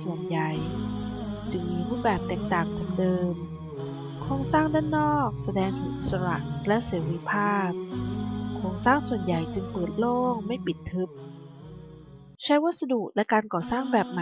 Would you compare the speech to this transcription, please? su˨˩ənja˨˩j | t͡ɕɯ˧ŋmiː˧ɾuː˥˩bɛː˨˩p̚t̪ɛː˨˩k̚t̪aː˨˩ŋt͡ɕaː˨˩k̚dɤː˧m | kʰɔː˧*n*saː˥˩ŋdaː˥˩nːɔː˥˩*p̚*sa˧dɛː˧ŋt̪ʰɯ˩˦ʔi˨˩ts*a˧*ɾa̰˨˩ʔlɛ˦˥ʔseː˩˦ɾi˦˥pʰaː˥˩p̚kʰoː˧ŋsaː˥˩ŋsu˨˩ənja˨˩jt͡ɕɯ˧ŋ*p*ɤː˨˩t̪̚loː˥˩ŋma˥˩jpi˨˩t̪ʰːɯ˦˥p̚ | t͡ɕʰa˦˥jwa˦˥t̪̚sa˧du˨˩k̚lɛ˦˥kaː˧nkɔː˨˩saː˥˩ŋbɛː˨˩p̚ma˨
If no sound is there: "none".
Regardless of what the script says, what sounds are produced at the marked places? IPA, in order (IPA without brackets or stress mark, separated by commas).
ŋ, k̚, a˧, p